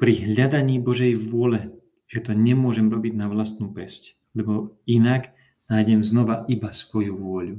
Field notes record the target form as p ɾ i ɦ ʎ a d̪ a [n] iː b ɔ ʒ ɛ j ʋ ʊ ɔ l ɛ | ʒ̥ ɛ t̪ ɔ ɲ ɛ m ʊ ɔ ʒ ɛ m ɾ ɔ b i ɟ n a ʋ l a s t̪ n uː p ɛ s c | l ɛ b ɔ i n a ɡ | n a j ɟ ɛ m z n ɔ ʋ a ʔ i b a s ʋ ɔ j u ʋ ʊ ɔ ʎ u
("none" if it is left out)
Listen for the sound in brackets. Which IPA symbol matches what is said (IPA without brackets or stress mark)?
ɲ